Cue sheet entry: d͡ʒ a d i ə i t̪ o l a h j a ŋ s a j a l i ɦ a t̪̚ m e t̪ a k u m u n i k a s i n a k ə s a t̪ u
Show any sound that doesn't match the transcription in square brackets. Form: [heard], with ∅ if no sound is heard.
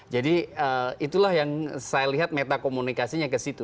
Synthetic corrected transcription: d͡ʒ a d i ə i t̪ [u] l a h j a ŋ s a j a l i ɦ a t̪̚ m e t̪ a k [o] m u n i k a s i [ɲ] a k ə s [i] t̪ u